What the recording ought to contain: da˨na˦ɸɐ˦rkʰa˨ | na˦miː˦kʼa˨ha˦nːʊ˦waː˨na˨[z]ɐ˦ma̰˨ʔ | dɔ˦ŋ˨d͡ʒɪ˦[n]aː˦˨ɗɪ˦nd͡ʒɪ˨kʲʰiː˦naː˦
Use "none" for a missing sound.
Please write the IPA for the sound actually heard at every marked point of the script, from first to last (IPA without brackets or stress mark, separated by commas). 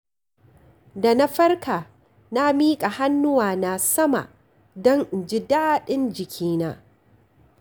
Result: s, d